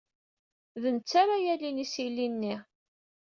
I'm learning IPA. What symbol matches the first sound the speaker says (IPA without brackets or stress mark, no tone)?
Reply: ð